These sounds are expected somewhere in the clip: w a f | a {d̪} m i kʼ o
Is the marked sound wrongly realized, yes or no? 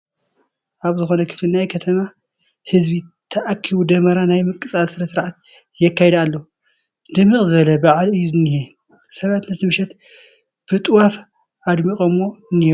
no